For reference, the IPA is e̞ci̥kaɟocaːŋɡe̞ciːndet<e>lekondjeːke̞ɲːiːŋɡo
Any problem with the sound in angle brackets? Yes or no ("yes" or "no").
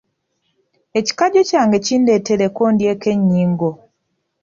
no